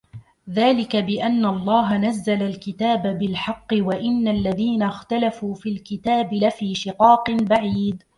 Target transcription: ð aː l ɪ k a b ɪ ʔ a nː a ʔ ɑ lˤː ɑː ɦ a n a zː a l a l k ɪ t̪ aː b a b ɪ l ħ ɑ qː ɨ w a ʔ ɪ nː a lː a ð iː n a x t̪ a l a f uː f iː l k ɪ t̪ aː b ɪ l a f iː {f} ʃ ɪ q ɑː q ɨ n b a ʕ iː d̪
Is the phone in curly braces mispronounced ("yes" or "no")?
yes